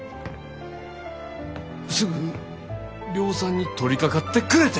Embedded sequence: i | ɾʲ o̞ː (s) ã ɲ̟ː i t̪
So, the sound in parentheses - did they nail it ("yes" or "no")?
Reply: yes